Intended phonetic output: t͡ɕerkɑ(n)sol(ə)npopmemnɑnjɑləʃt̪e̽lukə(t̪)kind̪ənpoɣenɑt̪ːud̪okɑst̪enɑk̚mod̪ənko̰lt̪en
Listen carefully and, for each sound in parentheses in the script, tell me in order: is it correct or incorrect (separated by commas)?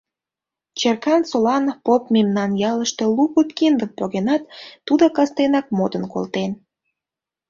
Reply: correct, incorrect, correct